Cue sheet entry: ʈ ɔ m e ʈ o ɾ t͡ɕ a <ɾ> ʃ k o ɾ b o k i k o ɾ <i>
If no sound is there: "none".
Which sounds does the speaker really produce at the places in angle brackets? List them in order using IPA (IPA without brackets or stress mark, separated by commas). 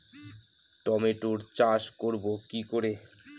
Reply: none, e